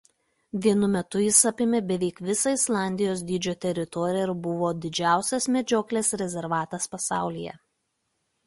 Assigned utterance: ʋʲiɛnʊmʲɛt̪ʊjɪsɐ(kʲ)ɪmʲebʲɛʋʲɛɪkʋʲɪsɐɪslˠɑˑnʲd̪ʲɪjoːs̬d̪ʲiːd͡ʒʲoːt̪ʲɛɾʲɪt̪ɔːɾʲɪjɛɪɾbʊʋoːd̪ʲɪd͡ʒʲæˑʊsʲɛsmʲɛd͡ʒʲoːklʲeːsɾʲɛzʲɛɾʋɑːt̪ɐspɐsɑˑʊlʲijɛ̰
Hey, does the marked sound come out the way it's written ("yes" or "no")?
no